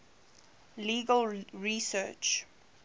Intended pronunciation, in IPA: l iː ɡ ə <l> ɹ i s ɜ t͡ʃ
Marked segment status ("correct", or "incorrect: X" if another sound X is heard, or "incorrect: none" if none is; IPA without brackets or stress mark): correct